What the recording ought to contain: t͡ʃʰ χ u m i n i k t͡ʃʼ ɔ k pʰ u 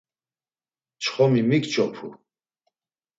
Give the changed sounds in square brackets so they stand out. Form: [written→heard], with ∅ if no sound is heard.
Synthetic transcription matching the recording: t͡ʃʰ χ [u→ɔ] m i [n→m] i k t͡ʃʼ ɔ [k→∅] pʰ u